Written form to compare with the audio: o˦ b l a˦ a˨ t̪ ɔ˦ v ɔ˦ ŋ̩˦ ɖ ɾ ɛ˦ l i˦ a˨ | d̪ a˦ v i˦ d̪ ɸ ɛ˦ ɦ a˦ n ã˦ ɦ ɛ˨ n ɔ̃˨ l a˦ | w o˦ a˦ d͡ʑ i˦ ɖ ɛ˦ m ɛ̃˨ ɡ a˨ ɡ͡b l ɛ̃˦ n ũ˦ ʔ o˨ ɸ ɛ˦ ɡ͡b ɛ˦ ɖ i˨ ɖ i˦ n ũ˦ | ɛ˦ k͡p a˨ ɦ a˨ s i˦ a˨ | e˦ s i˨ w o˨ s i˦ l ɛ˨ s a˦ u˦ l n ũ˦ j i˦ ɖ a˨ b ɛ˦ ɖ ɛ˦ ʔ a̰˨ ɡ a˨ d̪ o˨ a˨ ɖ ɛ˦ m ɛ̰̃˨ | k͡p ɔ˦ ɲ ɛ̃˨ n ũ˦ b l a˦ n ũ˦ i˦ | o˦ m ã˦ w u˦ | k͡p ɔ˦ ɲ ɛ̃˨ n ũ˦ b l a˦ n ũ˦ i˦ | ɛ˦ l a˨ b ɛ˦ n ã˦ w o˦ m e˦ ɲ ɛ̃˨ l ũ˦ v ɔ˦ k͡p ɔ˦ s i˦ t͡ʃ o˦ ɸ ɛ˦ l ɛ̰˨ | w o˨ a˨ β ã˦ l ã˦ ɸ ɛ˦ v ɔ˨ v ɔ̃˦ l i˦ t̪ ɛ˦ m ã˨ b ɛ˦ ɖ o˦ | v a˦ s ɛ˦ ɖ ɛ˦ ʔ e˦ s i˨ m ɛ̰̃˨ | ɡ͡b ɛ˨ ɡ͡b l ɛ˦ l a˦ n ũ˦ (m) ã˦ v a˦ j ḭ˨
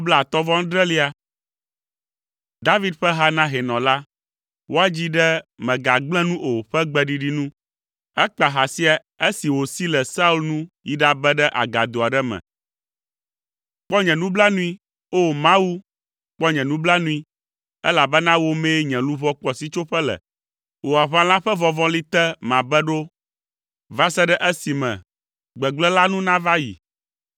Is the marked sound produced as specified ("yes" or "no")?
no